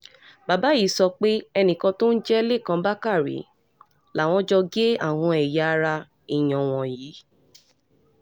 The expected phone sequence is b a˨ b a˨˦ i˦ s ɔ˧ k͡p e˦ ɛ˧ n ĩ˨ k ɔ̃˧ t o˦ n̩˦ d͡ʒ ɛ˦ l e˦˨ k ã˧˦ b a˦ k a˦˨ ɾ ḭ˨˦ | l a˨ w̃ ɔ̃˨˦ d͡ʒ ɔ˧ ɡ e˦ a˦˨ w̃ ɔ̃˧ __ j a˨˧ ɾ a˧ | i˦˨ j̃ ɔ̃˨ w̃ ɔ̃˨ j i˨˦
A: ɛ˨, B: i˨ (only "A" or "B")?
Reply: A